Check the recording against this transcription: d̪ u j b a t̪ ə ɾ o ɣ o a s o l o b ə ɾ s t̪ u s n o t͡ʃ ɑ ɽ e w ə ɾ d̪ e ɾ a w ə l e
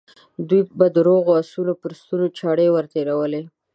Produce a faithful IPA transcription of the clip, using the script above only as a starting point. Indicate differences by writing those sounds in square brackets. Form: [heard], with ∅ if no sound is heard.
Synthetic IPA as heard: d̪ u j b a [d̪] ə ɾ o ɣ o a s [u] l o [p] ə ɾ s t̪ u [∅] n o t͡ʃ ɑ ɽ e w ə ɾ [t̪] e ɾ a w ə l e